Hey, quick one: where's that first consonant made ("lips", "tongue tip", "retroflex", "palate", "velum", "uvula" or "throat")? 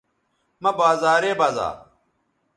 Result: lips